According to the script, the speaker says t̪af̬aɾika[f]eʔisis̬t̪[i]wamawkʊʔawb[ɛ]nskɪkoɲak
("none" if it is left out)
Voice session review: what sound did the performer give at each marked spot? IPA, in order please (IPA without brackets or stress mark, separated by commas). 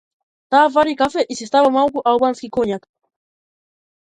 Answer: f, a, a